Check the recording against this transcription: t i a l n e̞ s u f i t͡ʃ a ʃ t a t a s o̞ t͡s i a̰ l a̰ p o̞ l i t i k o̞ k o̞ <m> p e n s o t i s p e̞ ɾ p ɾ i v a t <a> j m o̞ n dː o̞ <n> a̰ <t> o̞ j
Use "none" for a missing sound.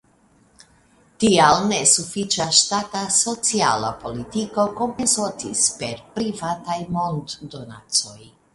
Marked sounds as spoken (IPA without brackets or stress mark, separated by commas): m, a, n, t͡s